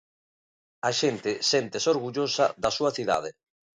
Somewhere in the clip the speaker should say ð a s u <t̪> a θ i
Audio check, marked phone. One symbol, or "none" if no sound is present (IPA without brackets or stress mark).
none